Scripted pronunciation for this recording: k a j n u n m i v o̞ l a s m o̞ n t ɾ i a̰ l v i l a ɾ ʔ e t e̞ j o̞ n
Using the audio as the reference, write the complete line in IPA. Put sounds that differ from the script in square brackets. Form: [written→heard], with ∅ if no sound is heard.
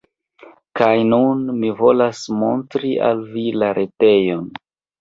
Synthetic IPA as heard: k a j n u n m i v o̞ l a s m o̞ n t ɾ i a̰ l v i l a ɾ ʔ e t e̞ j o̞ n